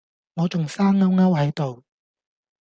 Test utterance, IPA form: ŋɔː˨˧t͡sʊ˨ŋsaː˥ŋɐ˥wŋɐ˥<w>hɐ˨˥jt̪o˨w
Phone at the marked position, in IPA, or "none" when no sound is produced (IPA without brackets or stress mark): w